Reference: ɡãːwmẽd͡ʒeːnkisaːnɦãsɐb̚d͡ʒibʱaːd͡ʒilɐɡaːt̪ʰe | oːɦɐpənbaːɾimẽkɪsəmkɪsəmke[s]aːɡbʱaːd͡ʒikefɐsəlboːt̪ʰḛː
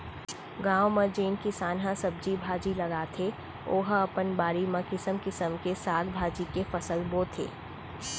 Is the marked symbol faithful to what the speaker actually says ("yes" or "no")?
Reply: yes